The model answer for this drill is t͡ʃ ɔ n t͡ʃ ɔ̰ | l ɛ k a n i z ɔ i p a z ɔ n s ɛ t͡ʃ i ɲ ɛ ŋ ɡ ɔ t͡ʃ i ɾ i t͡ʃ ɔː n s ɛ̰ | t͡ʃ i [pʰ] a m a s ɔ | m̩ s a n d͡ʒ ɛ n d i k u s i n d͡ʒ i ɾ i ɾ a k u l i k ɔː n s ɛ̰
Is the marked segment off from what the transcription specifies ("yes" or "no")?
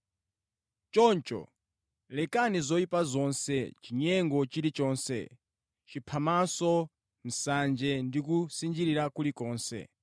no